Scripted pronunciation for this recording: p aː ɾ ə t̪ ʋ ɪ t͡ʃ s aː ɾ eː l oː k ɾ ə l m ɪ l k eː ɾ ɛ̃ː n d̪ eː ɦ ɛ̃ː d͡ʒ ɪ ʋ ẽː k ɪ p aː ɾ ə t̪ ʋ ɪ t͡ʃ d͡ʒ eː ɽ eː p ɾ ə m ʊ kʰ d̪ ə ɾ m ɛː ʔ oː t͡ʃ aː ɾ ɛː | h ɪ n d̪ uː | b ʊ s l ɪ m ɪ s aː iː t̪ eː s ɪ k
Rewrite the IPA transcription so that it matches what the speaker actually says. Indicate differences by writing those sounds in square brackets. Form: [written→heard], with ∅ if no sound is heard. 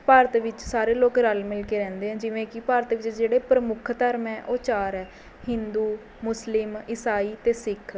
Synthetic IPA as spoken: p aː ɾ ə t̪ ʋ ɪ t͡ʃ s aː ɾ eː l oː k ɾ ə l m ɪ l k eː ɾ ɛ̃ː n d̪ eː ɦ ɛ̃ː d͡ʒ ɪ ʋ ẽː k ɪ p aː ɾ ə t̪ ʋ ɪ t͡ʃ d͡ʒ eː ɽ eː p ɾ ə m ʊ kʰ [d̪→t̪] ə ɾ m ɛː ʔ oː t͡ʃ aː ɾ ɛː | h ɪ n d̪ uː | [b→m] ʊ s l ɪ m ɪ s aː iː t̪ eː s ɪ [k→kʰ]